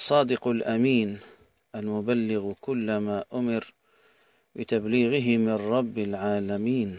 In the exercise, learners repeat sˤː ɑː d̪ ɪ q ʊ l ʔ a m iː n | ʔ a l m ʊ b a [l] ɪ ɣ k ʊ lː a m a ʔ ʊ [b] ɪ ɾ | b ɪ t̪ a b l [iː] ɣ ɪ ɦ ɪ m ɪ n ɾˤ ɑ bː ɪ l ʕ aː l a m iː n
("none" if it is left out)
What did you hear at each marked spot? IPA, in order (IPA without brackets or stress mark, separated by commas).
lː, m, iː